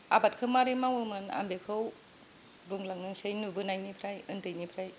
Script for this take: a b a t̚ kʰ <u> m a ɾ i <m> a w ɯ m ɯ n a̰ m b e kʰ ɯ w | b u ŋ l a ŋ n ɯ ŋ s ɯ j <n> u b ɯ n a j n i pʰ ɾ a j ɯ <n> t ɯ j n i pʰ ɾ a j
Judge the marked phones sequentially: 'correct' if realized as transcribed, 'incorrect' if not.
incorrect: ɯ, correct, correct, correct

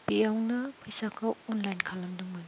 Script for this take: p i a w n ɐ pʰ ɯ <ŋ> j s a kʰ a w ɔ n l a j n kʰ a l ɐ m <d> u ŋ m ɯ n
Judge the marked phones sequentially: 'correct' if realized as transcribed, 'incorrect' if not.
incorrect: none, correct

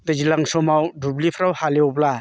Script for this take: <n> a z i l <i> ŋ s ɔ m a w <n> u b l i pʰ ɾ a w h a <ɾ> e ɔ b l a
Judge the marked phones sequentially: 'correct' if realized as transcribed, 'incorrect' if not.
incorrect: d, incorrect: a, incorrect: d, incorrect: l

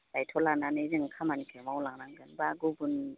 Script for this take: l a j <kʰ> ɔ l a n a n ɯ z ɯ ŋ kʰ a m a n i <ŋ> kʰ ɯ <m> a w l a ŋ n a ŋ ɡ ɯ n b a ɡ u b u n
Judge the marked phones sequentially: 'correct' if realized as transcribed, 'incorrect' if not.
incorrect: tʰ, incorrect: none, correct

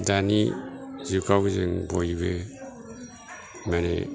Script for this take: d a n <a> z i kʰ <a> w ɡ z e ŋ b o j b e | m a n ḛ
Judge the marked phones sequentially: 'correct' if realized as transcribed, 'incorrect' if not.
incorrect: i, correct

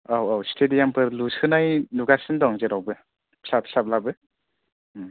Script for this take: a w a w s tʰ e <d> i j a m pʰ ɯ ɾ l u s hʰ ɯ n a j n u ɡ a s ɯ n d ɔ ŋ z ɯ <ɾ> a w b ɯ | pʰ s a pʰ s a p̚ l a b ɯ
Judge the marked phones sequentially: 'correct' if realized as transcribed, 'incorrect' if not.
correct, correct

